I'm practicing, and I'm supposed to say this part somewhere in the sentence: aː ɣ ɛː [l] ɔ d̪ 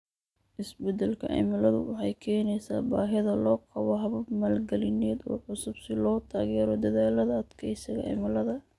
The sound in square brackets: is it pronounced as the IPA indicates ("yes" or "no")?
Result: no